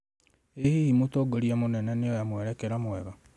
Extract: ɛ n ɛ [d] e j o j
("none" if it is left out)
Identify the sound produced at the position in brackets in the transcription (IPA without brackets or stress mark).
n